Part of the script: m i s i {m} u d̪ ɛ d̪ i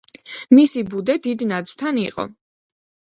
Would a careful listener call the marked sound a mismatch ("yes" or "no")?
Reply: yes